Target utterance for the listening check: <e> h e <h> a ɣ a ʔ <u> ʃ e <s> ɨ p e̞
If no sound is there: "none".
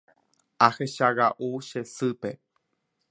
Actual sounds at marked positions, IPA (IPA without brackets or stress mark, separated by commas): a, ʃ, u, s